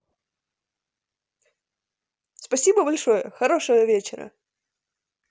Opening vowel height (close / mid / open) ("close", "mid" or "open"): open